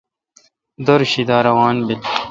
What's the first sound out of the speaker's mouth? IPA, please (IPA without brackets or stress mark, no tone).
d̪